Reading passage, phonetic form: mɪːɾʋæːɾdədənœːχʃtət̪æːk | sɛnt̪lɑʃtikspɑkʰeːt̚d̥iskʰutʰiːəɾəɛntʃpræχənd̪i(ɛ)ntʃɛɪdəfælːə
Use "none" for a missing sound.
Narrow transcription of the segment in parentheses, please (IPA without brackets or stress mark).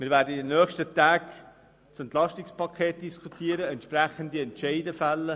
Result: ɛ